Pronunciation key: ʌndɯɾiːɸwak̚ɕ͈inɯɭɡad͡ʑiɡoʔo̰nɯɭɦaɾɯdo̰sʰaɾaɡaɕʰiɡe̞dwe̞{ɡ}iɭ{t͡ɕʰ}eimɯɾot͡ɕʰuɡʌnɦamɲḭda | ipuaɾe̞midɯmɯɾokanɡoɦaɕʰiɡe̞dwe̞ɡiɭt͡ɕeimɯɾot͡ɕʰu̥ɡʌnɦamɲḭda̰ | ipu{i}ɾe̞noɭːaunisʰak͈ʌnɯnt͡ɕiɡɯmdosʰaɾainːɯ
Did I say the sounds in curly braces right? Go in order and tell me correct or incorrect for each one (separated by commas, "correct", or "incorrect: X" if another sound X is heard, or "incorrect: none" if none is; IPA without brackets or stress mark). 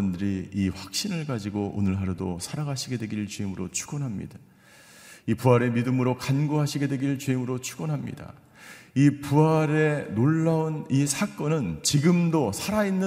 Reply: correct, incorrect: t͡ɕ, incorrect: a